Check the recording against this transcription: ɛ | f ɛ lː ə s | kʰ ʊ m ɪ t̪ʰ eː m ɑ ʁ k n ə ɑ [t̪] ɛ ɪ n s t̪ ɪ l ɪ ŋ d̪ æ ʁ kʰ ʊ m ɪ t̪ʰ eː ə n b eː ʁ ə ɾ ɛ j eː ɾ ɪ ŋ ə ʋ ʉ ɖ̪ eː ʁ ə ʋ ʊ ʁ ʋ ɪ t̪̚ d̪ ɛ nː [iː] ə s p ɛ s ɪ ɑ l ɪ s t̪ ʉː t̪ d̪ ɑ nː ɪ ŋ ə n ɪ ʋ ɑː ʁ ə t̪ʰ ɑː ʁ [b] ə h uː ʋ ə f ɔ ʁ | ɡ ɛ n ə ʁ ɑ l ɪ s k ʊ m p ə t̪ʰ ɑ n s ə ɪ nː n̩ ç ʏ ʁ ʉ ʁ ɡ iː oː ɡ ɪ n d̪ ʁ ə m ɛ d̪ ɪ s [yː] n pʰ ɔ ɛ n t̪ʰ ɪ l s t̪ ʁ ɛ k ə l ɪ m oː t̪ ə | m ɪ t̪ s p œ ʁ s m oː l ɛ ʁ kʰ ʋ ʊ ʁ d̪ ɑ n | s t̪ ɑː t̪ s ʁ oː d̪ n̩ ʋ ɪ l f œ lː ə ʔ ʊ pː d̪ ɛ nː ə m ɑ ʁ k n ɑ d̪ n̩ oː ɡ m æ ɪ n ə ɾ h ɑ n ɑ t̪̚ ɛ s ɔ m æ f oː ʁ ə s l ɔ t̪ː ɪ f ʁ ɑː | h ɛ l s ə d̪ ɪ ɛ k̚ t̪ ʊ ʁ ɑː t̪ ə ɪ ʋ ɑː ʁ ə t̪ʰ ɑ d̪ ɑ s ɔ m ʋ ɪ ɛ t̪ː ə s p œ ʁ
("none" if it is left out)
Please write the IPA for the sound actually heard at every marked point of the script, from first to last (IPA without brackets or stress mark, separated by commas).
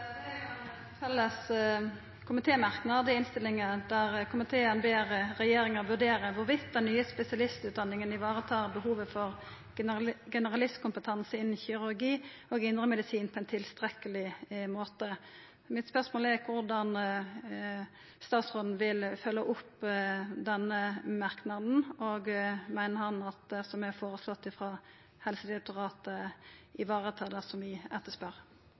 d̪, yː, b, iː